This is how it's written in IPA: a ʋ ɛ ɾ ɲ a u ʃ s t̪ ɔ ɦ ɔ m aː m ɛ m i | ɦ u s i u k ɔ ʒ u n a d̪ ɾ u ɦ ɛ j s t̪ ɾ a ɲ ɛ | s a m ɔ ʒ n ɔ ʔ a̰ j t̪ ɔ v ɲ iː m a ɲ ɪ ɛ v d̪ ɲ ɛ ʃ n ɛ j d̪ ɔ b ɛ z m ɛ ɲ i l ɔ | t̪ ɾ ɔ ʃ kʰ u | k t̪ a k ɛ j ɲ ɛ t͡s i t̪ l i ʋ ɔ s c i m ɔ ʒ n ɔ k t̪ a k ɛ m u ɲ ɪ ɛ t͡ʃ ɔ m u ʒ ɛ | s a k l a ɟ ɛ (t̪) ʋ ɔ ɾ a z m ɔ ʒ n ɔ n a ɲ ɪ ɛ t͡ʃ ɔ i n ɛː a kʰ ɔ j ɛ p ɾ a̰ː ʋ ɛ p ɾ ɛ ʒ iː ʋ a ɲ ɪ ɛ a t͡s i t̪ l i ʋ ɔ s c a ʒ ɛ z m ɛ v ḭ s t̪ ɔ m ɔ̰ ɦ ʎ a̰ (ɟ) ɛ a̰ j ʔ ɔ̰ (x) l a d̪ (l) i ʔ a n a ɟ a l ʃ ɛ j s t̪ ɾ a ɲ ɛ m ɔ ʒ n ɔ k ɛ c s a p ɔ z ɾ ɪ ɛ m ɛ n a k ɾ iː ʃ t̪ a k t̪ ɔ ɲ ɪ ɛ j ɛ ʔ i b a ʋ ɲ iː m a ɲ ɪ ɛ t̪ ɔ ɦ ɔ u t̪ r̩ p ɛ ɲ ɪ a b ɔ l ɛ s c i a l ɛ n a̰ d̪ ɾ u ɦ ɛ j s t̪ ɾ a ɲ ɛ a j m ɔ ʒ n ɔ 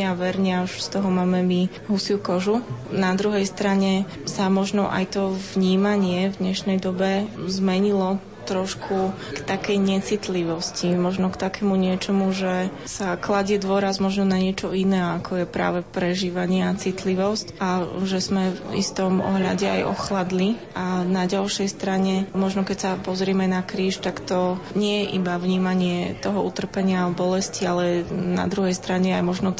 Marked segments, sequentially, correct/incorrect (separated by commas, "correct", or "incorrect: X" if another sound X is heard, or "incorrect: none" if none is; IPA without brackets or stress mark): incorrect: d̪, correct, correct, correct